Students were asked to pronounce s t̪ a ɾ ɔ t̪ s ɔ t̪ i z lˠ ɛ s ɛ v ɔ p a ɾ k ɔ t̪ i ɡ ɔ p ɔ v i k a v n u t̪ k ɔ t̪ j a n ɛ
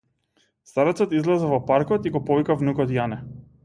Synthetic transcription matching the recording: s t̪ a ɾ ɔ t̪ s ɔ t̪ i z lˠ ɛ z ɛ v ɔ p a ɾ k ɔ t̪ i ɡ ɔ p ɔ v i k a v n u k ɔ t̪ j a n ɛ